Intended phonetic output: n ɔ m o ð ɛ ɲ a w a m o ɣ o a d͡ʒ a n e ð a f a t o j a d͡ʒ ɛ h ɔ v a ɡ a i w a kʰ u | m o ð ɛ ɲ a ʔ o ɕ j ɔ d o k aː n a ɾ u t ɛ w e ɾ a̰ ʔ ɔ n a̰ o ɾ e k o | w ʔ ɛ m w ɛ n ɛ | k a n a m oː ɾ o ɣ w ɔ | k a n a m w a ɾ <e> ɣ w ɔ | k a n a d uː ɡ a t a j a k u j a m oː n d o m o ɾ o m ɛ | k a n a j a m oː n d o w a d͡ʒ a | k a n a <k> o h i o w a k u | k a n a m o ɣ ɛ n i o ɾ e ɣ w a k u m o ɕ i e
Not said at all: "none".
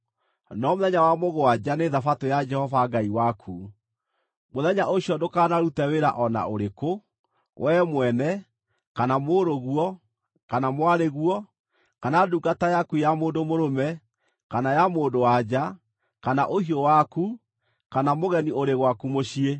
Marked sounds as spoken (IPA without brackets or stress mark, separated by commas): e, ʔ